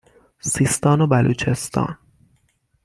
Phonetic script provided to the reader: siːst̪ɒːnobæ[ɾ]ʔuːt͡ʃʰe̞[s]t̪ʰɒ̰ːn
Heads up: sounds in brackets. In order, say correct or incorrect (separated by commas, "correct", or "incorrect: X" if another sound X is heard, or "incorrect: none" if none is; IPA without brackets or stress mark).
incorrect: l, correct